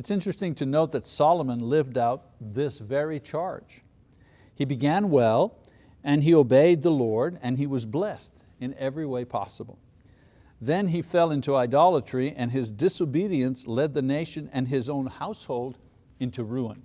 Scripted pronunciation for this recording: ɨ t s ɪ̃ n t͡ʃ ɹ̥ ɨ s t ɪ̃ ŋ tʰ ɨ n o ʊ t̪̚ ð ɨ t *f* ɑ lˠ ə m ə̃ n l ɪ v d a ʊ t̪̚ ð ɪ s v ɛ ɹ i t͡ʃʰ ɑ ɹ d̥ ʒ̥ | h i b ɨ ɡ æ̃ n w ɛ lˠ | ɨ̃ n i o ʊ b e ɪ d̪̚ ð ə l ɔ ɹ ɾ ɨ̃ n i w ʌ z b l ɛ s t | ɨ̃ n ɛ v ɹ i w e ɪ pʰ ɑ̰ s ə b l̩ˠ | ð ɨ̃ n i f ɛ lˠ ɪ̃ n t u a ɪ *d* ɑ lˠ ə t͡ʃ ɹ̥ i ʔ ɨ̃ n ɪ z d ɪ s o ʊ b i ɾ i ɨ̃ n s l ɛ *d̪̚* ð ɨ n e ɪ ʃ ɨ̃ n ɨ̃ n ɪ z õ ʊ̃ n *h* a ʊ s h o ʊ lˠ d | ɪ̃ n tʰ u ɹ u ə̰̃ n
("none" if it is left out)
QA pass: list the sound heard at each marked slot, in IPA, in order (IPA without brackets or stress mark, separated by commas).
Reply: s, d, d̪̚, h